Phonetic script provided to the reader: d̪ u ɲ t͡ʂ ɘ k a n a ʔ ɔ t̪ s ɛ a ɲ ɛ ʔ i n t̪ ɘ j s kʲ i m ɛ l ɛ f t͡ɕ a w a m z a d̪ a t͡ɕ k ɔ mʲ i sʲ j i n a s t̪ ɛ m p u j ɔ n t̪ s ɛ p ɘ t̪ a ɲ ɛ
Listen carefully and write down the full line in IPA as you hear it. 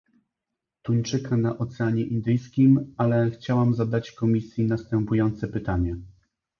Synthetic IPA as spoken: t̪ u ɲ t͡ʂ ɘ k a n a ʔ ɔ t̪ s ɛ a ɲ ɛ ʔ i n d̪ ɘ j s kʲ i m a l ɛ x t͡ɕ a w a m z a d̪ a t͡ɕ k ɔ mʲ i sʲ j i n a s t̪ ɛ m p u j ɔ n t̪ s ɛ p ɘ t̪ a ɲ ɛ

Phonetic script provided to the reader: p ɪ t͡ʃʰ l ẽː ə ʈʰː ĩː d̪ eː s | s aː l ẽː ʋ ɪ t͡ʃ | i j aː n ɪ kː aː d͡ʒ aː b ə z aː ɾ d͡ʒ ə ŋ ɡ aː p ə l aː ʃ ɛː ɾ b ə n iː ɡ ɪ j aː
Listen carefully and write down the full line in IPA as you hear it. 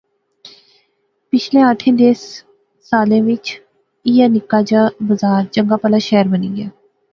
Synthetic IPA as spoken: p ɪ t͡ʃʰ l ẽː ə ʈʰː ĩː d̪ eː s | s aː l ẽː ʋ ɪ t͡ʃ | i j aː n ɪ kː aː d͡ʒ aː b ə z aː ɾ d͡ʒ ə ŋ ɡ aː p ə l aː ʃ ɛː ɾ b ə n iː ɡ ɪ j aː

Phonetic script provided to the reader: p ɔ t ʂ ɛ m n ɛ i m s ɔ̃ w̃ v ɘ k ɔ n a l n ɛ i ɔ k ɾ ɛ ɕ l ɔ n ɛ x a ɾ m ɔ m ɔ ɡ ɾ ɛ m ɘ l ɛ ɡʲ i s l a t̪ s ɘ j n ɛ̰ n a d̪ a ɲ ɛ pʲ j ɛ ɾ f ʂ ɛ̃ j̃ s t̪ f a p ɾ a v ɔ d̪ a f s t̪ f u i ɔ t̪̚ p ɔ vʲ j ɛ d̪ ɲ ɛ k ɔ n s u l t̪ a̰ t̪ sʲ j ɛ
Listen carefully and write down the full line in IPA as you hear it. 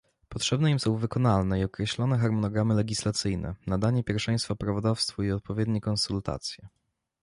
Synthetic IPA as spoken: p ɔ t ʂ ɛ b n ɛ i m s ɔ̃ w̃ v ɘ k ɔ n a l n ɛ i ɔ k ɾ ɛ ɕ l ɔ n ɛ x a ɾ m ɔ n ɔ ɡ ɾ a m ɘ l ɛ ɡʲ i s l a t̪ s ɘ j n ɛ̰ n a d̪ a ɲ ɛ pʲ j ɛ ɾ f ʂ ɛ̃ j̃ s t̪ f a p ɾ a v ɔ d̪ a f s t̪ f u i ɔ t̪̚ p ɔ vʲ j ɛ d̪ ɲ ɛ k ɔ n s u l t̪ a̰ t̪ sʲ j ɛ

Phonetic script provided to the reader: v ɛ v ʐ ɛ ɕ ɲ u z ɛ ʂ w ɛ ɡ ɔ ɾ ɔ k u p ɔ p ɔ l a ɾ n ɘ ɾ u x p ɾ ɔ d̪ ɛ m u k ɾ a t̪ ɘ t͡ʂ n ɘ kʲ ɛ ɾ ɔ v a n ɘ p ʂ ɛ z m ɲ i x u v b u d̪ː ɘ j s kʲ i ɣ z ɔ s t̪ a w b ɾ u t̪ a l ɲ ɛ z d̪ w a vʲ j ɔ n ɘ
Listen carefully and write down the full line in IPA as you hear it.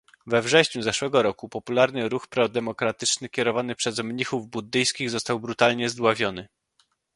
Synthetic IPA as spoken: v ɛ v ʐ ɛ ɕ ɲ u z ɛ ʂ w ɛ ɡ ɔ ɾ ɔ k u p ɔ p u l a ɾ n ɘ ɾ u x p ɾ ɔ d̪ ɛ m ɔ k ɾ a t̪ ɘ t͡ʂ n ɘ kʲ ɛ ɾ ɔ v a n ɘ p ʂ ɛ z m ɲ i x u v b u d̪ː ɘ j s kʲ i ɣ z ɔ s t̪ a w b ɾ u t̪ a l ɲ ɛ z d̪ w a vʲ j ɔ n ɘ

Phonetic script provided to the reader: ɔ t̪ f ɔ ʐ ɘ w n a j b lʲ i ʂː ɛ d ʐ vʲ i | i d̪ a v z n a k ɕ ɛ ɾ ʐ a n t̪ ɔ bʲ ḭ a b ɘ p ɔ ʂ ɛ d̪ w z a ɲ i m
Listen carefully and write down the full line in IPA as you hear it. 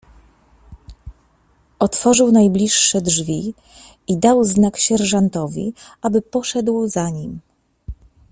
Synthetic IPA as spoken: ɔ t̪ f ɔ ʐ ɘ w n a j b lʲ i ʂː ɛ d ʐ vʲ i | i d̪ a w z n a k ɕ ɛ ɾ ʐ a n t̪ ɔ vʲ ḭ a b ɘ p ɔ ʂ ɛ d̪ w z a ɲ i m

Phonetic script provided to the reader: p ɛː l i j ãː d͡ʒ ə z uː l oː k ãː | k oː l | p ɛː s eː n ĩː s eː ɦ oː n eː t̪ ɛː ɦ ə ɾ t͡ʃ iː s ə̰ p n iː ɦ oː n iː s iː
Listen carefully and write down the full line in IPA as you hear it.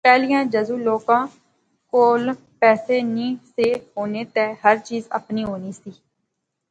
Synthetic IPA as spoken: p ɛː l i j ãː d͡ʒ ə z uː l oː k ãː | k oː l | p ɛː s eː n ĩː s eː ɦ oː n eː t̪ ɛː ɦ ə ɾ t͡ʃ iː z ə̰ p n iː ɦ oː n iː s iː

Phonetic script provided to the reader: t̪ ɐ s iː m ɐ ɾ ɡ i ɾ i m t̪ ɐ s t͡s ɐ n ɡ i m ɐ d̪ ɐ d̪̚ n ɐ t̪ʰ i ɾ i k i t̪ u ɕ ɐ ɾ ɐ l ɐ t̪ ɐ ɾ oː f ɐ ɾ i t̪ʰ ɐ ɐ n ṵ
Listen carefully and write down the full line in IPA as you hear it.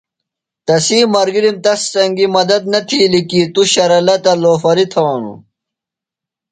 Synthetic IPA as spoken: t̪ ɐ s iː m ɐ ɾ ɡ i ɾ i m t̪ ɐ s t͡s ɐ ŋ ɡ i m ɐ d̪ ɐ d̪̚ n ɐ t̪ʰ i l i k i t̪ u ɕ ɐ ɾ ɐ l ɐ t̪ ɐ l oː f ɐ ɾ i t̪ʰ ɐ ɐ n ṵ

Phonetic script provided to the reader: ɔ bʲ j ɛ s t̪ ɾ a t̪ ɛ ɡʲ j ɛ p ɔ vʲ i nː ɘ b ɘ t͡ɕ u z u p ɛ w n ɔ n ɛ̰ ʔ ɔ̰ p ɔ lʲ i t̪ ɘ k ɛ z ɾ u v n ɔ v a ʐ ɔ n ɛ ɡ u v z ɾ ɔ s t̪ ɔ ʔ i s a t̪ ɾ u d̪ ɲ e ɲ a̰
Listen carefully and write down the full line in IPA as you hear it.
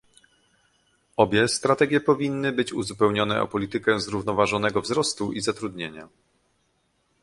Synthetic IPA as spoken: ɔ bʲ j ɛ s t̪ ɾ a t̪ ɛ ɡʲ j ɛ p ɔ vʲ i nː ɘ b ɘ t͡ɕ u z u p ɛ w ɲ ɔ n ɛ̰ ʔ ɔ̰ p ɔ lʲ i t̪ ɘ k ɛ z ɾ u v n ɔ v a ʐ ɔ n ɛ ɡ ɔ v z ɾ ɔ s t̪ u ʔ i z a t̪ ɾ u d̪ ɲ e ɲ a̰

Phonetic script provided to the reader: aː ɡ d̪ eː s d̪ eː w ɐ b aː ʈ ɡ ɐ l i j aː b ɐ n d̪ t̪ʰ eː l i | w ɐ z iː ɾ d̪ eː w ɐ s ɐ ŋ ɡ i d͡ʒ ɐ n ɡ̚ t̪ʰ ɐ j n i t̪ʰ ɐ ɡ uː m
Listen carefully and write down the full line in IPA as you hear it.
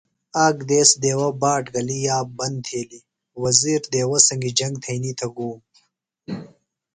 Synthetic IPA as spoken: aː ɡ d̪ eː s d̪ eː w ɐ b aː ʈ ɡ ɐ l i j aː b ɐ n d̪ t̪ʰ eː l i | w ɐ z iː ɾ d̪ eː w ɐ s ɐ ŋ ɡ i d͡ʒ ɐ ŋ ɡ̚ t̪ʰ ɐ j n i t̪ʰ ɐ ɡ uː m

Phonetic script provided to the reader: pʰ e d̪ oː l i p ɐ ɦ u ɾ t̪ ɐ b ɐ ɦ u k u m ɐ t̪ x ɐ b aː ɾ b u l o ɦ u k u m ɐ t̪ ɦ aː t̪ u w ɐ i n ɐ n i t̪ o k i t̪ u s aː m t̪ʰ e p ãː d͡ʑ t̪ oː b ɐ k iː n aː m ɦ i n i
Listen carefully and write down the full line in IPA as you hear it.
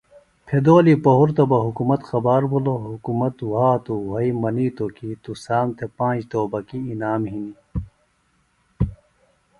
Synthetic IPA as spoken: pʰ e d̪ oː l i p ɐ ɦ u ɾ t̪ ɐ b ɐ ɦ u k u m ɐ t̪ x ɐ b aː ɾ b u l o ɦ u k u m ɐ t̪ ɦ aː t̪ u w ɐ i m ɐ n i t̪ o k i t̪ u s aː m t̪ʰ e p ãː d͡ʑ t̪ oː b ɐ k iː n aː m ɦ i n i

